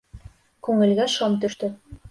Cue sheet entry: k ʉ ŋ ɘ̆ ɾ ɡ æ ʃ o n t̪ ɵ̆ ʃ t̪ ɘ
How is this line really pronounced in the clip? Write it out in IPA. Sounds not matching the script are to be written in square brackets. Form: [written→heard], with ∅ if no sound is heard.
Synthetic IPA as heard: k ʉ ŋ ɘ̆ [ɾ→l] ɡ æ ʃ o [n→m] t̪ ɵ̆ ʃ t̪ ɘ